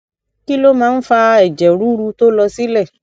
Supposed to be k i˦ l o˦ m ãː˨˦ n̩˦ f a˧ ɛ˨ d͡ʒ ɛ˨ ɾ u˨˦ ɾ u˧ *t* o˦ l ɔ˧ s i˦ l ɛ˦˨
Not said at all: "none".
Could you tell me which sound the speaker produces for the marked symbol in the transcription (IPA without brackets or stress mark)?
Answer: t